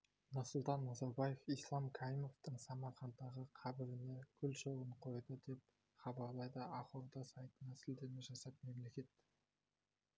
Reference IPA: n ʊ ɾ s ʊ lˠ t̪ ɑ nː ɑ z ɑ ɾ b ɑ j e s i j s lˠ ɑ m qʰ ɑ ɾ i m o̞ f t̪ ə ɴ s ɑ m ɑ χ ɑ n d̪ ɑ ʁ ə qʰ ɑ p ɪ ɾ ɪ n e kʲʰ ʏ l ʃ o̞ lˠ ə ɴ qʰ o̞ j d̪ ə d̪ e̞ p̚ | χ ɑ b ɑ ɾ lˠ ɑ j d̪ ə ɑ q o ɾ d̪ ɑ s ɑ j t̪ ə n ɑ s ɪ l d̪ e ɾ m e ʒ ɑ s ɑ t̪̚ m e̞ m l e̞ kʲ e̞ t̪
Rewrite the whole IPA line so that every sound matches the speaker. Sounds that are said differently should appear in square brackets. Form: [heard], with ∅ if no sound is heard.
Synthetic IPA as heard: n ʊ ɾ s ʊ lˠ t̪ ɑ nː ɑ z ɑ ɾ b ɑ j e [f] i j s lˠ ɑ m [kʰ] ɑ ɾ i m o̞ f t̪ ə ɴ s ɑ m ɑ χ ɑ n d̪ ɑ ʁ ə qʰ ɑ [b] ɪ ɾ ɪ n e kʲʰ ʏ l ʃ o̞ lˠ ə ɴ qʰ o̞ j d̪ ə d̪ e̞ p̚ | χ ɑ b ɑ ɾ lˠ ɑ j d̪ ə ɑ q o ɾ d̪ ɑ s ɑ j t̪ ə n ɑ s ɪ l d̪ e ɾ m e ʒ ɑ s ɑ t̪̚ m e̞ m l e̞ kʲ e̞ t̪

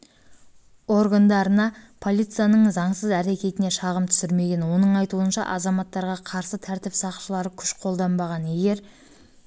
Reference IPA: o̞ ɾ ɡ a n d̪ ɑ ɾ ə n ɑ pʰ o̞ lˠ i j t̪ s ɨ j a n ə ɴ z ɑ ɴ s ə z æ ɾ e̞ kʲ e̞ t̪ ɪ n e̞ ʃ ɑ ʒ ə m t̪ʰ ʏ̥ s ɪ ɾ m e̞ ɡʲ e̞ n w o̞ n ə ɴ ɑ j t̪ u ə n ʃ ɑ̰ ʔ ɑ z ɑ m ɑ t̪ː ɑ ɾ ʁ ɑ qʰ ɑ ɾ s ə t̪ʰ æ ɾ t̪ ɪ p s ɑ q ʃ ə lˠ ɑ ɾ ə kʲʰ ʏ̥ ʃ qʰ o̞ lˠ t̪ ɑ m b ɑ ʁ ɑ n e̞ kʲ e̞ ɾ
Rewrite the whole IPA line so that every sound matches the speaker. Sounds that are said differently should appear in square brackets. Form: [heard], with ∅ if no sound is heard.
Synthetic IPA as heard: o̞ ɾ ɡ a n d̪ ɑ ɾ ə n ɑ pʰ o̞ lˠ i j t̪ s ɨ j a n ə ɴ z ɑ ɴ s ə z æ ɾ e̞ kʲ e̞ t̪ ɪ n e̞ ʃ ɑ [ʁ] ə m t̪ʰ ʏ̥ s ɪ ɾ m e̞ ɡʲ e̞ n w o̞ n ə ɴ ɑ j t̪ u ə n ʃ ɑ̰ ʔ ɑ z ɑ m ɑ t̪ː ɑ ɾ ʁ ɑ qʰ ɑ ɾ s ə t̪ʰ æ ɾ t̪ ɪ p s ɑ q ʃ ə lˠ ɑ ɾ ə kʲʰ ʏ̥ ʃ qʰ o̞ lˠ [d̪] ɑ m b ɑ ʁ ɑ n e̞ [ɡʲ] e̞ ɾ

